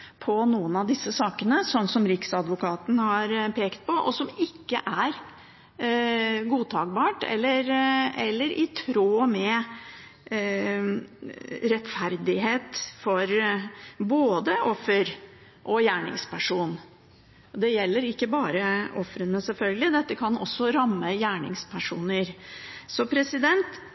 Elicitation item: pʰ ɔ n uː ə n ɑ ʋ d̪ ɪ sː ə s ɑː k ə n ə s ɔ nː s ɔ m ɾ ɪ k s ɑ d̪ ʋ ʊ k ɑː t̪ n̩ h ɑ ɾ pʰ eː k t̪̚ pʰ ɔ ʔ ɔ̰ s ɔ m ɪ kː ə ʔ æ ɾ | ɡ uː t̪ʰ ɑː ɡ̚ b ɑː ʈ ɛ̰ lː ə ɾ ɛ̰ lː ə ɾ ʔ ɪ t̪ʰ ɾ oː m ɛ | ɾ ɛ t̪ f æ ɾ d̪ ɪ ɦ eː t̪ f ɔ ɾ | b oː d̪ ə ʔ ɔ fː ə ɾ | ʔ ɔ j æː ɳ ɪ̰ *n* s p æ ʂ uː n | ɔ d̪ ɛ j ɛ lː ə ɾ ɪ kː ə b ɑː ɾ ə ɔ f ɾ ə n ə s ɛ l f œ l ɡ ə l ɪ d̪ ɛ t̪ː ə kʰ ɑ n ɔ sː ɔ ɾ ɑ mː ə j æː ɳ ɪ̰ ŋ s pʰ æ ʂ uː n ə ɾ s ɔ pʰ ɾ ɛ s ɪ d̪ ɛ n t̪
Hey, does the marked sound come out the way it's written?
no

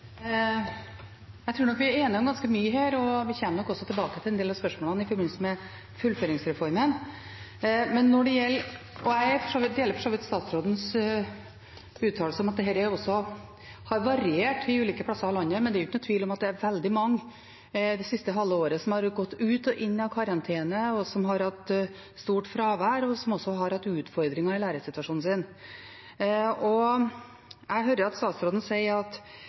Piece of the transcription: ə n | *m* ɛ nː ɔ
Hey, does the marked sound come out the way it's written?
yes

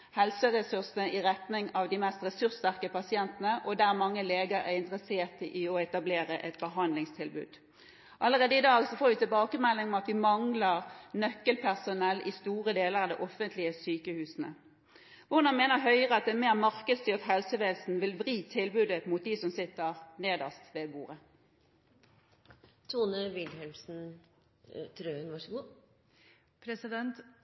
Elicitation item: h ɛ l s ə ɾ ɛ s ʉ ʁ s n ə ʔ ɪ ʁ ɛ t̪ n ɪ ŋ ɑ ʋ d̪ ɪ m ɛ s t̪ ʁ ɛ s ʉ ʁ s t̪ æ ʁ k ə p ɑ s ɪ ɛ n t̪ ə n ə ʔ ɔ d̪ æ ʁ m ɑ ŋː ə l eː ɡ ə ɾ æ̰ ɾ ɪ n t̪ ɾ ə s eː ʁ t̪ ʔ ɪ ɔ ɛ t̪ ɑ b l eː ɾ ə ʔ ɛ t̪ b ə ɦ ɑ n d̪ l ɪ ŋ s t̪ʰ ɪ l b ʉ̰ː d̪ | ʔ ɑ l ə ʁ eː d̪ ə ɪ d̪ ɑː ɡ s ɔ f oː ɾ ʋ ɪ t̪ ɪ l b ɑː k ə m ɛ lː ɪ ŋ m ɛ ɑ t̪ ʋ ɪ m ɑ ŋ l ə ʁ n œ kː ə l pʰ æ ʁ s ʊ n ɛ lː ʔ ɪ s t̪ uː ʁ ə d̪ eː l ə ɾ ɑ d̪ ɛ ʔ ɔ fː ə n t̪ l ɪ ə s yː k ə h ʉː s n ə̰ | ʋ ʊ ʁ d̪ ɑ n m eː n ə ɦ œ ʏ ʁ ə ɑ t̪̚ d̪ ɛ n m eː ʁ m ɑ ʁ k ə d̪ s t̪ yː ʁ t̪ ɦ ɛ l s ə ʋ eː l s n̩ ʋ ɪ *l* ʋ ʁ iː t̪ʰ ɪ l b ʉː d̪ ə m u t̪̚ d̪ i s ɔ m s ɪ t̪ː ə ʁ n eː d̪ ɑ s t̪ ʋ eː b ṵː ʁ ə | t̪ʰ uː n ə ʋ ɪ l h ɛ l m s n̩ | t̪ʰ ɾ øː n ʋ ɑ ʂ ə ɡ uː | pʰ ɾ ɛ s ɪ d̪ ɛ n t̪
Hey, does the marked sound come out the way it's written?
yes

